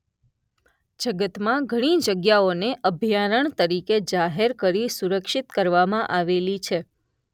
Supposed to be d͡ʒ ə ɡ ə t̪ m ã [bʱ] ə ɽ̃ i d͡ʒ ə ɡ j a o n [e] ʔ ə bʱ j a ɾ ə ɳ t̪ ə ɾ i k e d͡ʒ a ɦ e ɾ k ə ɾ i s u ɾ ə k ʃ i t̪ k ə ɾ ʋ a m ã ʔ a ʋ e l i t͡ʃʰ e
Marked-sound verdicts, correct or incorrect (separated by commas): incorrect, correct